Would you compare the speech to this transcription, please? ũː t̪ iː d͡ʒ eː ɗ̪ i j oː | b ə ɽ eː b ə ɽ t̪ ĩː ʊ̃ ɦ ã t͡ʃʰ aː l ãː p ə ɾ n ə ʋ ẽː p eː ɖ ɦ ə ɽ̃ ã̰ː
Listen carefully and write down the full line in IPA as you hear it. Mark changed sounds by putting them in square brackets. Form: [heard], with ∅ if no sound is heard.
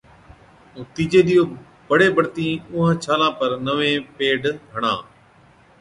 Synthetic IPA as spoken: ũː t̪ iː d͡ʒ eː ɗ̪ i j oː | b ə ɽ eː b ə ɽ t̪ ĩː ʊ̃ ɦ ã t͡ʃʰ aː l ãː p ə ɾ n ə ʋ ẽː p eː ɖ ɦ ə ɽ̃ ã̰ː